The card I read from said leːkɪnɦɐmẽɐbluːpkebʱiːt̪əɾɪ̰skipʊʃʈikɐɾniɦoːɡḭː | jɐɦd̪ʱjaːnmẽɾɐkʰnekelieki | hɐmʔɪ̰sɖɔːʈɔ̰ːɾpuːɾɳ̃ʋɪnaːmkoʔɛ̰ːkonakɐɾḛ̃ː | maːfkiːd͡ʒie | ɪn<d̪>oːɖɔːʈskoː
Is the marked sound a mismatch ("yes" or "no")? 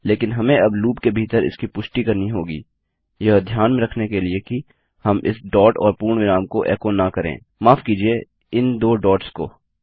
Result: no